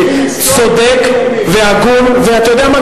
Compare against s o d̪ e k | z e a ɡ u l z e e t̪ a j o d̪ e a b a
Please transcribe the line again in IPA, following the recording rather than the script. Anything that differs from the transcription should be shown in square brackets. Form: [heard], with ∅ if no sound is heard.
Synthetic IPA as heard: s o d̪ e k | [v] e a ɡ u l [v] e [a] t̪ a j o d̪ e a [m] a